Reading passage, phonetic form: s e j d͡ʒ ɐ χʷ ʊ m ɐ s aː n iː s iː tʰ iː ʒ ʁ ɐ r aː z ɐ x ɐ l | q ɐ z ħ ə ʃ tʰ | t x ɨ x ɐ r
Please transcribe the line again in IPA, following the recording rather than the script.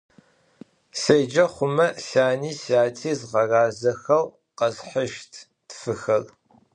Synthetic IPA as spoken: s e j d͡ʒ ɐ χʷ ʊ m ɐ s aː n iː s aː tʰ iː z ʁ ɐ r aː z ɐ x ɐ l | q ɐ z ħ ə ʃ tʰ | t f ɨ x ɐ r

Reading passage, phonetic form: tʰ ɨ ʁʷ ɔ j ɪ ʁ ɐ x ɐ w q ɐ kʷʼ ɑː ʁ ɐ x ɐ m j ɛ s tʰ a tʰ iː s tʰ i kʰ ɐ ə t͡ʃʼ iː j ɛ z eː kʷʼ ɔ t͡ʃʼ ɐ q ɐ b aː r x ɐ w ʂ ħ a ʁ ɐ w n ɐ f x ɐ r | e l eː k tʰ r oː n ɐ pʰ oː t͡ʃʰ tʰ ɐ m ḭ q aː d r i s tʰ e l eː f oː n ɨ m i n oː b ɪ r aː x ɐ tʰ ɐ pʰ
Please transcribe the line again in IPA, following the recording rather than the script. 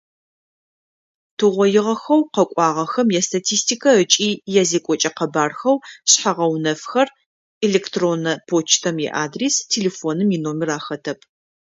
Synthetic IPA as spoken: tʰ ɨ ʁʷ ɔ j ɪ ʁ ɐ x ɐ w q ɐ kʷʼ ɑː ʁ ɐ x ɐ m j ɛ s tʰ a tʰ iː s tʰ i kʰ ɐ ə t͡ʃʼ iː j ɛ z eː kʷʼ ɔ t͡ʃʼ ɐ q ɐ b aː r x ɐ w ɕ ħ a ʁ ɐ w n ɐ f x ɐ r | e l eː k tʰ r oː n ɐ pʰ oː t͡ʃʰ tʰ ɐ m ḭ ʔ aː d r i s tʰ e l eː f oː n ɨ m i n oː m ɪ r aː x ɐ tʰ ɐ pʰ

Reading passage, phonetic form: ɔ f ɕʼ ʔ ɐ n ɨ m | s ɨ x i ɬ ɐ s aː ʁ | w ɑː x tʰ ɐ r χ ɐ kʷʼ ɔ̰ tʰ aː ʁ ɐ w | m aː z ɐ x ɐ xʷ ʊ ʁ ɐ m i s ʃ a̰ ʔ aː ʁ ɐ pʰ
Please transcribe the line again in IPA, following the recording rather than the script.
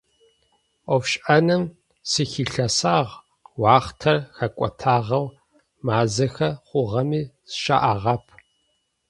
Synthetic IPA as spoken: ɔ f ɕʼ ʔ ɐ n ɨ m | s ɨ x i ɬ ɐ s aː ʁ | w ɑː χ tʰ ɐ r x ɐ kʷʼ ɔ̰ tʰ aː ʁ ɐ w | m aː z ɐ x ɐ χʷ ʊ ʁ ɐ m iː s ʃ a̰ ʔ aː ʁ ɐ pʰ

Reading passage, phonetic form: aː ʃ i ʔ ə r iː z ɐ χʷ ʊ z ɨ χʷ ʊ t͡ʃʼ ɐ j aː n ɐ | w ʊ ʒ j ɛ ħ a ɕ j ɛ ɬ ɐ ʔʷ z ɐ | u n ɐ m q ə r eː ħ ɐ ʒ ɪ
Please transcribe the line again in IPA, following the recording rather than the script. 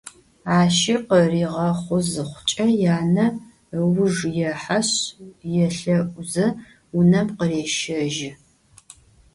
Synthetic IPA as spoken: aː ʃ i q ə r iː ʁ ɐ χʷ ʊ z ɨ χʷ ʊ t͡ʃʼ ɐ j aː n ɐ | w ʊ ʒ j ɛ ħ a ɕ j ɛ ɬ ɐ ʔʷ z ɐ | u n ɐ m q ə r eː ʃ ɐ ʒ ɪ

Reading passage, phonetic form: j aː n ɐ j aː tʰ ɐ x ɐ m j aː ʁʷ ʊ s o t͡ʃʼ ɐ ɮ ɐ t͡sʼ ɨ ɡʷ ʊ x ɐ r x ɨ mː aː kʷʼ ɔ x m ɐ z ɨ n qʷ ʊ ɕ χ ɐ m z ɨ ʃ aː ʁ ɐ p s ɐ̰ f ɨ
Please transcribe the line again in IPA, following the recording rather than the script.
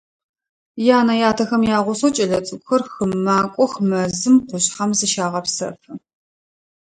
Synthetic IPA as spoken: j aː n ɐ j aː tʰ ɐ x ɐ m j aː ʁʷ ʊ s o t͡ʃʼ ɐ ɮ ɐ t͡sʼ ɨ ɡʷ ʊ x ɐ r x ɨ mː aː kʷʼ ɔ x m ɐ z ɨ m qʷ ʊ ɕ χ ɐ m z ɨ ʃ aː ʁ ɐ p s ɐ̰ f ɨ

